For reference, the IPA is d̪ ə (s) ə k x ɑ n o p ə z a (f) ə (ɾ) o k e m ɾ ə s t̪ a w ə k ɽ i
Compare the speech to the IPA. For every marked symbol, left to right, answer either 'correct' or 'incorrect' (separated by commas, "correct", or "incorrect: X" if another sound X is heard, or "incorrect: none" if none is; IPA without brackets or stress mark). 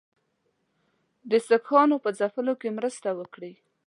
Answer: correct, correct, incorrect: l